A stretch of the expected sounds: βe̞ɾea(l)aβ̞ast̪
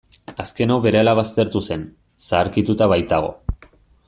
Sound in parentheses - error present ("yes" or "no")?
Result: no